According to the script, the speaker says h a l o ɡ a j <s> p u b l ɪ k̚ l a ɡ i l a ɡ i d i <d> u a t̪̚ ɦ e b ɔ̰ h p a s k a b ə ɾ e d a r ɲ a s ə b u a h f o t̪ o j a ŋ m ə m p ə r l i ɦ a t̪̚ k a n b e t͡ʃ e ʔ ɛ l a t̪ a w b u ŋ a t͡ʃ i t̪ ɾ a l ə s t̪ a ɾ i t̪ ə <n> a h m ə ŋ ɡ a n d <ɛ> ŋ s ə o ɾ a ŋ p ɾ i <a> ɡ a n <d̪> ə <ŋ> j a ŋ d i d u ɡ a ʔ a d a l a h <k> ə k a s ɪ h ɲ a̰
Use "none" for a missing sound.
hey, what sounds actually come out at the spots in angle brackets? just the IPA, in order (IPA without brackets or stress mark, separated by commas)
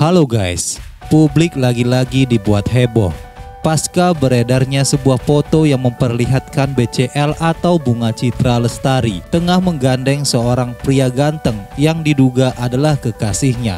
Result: s, b, ŋ, ɛ, a, t̪, ŋ, k